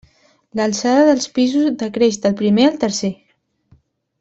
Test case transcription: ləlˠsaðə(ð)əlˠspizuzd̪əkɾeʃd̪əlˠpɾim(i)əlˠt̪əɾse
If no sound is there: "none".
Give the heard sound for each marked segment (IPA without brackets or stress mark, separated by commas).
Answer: ð, e